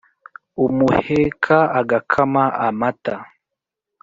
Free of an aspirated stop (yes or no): no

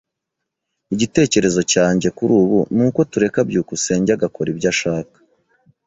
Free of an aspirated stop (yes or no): yes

